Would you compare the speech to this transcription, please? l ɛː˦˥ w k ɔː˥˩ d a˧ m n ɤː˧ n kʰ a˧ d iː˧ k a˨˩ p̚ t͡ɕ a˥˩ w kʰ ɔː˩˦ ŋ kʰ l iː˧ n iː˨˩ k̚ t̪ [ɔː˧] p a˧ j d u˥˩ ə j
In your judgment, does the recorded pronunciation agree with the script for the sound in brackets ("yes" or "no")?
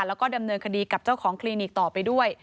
no